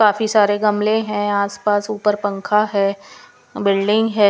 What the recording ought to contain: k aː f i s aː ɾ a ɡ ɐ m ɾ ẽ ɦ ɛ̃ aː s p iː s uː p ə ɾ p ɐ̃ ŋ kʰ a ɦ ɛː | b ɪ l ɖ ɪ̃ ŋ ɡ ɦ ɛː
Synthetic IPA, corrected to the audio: k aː f i s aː ɾ e ɡ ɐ m l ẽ ɦ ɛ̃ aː s p aː s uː p ə ɾ p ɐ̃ ŋ kʰ a ɦ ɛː | b ɪ l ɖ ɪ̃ ŋ ɡ ɦ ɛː